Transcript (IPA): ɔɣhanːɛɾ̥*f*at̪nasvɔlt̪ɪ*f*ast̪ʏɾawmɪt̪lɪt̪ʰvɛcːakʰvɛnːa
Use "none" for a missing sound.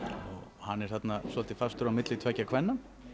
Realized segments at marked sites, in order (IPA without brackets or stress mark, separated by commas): θ, f